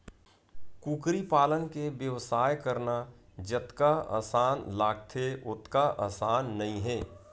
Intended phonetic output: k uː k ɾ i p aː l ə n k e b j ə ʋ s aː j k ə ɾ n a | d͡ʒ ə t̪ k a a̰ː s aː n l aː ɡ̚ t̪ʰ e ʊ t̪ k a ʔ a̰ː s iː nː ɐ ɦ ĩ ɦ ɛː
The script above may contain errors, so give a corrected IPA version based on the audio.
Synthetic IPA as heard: k uː k ɾ i p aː l ə n k e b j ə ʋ s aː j k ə ɾ n a | d͡ʒ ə t̪ k a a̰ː s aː n l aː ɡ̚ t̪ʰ e ʊ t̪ k a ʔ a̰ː s aː nː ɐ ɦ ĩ ɦ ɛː